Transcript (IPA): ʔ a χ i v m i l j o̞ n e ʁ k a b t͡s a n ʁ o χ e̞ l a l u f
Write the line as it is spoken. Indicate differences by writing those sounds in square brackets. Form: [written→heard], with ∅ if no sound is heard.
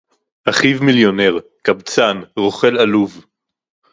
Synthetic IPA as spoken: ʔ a χ i v m i l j o̞ n e ʁ k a b t͡s a n ʁ o χ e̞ l a l u [f→v]